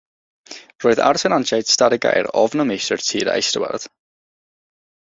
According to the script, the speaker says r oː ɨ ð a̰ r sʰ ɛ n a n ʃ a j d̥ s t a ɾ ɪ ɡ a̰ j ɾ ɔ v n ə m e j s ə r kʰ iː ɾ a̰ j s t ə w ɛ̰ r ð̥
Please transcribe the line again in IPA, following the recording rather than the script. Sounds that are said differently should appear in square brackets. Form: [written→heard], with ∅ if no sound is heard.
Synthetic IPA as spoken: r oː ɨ ð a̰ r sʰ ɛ n a n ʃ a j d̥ s t a ɾ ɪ ɡ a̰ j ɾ ɔ v n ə m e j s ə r [kʰ→tʰ] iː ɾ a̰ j s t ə w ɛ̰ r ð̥